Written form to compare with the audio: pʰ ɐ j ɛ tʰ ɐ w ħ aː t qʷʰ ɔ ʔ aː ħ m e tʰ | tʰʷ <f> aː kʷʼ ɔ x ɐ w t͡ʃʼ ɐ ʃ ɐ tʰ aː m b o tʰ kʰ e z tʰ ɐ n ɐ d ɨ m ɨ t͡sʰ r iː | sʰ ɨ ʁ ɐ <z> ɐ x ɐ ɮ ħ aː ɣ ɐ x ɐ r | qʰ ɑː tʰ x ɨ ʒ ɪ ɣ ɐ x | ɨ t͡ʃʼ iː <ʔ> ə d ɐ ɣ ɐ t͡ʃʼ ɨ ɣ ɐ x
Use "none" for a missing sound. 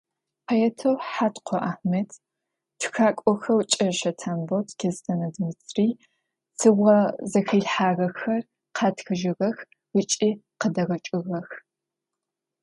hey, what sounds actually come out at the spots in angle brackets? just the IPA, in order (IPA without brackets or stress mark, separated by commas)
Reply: x, z, q